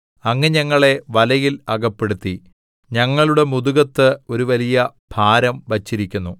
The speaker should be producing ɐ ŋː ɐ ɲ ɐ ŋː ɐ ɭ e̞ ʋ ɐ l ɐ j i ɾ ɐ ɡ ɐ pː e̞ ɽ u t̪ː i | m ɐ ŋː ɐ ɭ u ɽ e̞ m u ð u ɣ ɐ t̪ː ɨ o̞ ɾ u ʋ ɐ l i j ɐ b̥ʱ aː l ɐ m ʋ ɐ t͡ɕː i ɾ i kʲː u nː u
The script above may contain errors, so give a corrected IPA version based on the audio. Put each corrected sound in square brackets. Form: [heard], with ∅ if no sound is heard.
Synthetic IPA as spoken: ɐ ŋː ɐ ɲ ɐ ŋː ɐ ɭ e̞ ʋ ɐ l ɐ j i [l] ɐ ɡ ɐ pː e̞ ɽ u t̪ː i | [ɲ] ɐ ŋː ɐ ɭ u ɽ e̞ m u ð u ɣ ɐ t̪ː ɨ o̞ ɾ u ʋ ɐ l i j ɐ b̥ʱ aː [ɾ] ɐ m ʋ ɐ t͡ɕː i ɾ i kʲː u nː u